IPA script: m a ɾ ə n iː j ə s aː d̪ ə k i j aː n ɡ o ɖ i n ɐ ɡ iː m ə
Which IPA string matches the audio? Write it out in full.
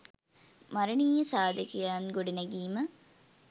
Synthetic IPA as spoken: m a ɾ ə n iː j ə s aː d̪ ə k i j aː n ɡ o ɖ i n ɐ ɡ iː m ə

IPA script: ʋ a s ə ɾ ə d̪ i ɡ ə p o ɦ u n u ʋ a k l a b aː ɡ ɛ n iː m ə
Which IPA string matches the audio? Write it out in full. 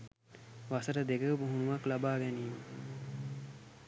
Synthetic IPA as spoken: ʋ a s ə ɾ ə d̪ e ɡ ə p u ɦ u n u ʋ a k l a b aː ɡ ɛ n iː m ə

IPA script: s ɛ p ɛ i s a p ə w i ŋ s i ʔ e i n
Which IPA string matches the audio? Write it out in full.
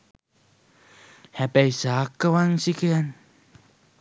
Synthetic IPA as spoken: h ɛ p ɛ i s a k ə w a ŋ s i k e a n

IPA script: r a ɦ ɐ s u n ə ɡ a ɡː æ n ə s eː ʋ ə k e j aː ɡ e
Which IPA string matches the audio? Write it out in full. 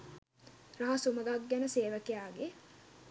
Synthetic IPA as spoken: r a ɦ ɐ s u m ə ɡ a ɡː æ n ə s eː ʋ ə k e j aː ɡ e

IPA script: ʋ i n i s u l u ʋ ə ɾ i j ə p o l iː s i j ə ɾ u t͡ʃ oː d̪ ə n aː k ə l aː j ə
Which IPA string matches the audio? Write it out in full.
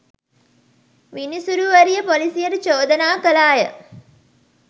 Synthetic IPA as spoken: ʋ i n i s u ɾ u ʋ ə ɾ i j ə p o l i s i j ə ɾ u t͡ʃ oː d̪ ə n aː k ə l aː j ə

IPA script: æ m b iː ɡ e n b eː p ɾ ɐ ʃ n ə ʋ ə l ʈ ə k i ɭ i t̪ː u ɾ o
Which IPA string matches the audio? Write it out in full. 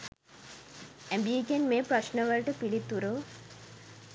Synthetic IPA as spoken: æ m b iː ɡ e n m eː p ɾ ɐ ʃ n ə ʋ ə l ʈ ə p i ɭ i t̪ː u ɾ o

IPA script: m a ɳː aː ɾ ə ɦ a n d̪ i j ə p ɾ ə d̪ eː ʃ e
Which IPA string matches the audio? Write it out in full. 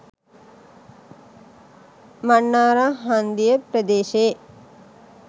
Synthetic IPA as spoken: m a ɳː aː ɾ a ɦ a n d̪ i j ə p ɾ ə d̪ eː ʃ e

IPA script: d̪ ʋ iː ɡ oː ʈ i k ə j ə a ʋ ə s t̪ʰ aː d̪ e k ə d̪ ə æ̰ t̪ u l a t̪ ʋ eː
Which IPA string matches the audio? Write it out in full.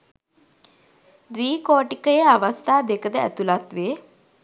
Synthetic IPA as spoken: d̪ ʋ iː k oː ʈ i k ə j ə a ʋ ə s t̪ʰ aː d̪ e k ə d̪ ə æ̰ t̪ u l a t̪ ʋ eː

